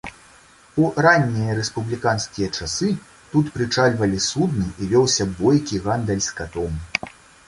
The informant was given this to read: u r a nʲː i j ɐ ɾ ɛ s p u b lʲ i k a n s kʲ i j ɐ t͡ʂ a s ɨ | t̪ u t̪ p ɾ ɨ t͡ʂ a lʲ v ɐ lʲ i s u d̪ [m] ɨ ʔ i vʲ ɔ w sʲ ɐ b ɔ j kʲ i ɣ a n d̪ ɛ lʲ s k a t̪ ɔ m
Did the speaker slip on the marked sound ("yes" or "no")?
yes